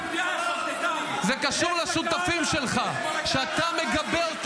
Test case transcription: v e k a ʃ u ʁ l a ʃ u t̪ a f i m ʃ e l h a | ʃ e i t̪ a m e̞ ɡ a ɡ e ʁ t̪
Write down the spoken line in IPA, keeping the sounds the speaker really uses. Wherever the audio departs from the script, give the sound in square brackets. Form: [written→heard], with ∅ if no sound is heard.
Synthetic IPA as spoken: [v→z] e k a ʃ u ʁ l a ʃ u t̪ a f i m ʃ e l [h→χ] a | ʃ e [i→a] t̪ a m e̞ ɡ a [ɡ→b] e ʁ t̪